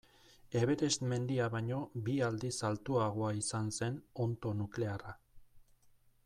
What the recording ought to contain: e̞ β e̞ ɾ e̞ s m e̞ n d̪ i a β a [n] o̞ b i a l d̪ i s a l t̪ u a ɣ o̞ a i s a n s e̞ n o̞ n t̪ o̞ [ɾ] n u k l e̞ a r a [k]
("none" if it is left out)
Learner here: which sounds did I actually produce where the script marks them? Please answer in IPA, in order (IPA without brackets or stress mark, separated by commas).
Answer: ɲ, none, none